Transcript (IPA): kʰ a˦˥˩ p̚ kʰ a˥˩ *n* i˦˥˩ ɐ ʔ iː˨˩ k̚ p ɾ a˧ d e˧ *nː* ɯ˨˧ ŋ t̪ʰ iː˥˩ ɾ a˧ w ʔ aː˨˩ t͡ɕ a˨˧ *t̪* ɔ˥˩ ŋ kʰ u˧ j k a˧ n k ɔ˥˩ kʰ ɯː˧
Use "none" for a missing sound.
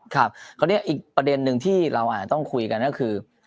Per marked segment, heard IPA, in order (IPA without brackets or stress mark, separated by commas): n, nː, t̪